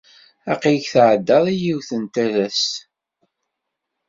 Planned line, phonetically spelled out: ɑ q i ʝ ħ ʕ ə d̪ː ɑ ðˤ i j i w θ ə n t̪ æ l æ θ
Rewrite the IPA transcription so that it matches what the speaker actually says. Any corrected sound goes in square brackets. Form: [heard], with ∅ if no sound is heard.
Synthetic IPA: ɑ q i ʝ [θ] ʕ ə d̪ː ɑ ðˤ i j i w θ ə n t̪ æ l æ [s]